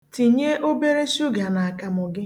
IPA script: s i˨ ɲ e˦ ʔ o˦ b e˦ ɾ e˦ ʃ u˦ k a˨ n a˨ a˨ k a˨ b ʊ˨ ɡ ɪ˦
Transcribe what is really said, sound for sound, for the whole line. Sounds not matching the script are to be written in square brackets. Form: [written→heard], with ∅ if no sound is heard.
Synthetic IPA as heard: [s→t] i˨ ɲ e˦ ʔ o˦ b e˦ ɾ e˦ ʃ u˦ [k→ɡ] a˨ n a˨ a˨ k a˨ [b→m] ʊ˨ ɡ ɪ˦